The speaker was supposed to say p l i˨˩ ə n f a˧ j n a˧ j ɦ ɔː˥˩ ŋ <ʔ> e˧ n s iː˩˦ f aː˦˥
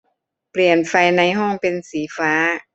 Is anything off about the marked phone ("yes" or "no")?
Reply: yes